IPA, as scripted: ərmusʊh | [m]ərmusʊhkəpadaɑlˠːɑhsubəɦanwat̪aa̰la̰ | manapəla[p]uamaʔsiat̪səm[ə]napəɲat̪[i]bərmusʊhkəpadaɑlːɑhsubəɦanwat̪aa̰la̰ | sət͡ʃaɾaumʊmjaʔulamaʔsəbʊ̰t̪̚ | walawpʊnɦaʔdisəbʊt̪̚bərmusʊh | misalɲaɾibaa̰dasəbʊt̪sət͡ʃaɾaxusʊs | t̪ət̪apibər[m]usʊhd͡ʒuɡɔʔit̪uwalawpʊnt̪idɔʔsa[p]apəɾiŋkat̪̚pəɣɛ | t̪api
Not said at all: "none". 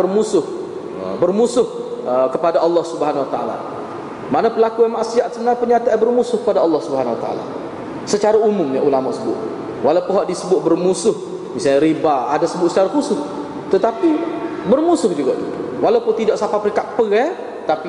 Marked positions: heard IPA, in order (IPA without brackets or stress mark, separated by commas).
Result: b, k, ə, a, m, p